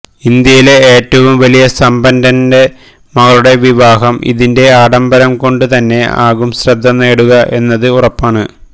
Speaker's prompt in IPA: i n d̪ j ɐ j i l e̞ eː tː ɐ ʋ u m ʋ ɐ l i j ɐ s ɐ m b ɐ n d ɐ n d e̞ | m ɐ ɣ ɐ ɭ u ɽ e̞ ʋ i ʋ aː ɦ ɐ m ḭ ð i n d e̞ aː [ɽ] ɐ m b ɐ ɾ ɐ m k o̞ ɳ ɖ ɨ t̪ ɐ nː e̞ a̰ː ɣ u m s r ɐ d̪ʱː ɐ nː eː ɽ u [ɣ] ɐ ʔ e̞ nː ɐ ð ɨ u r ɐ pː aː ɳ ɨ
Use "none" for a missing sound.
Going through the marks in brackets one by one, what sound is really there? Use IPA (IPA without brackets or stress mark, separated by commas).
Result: ɽ, ɣ